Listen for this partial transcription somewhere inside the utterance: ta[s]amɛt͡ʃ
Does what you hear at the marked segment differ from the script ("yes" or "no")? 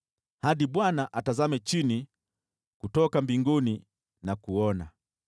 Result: yes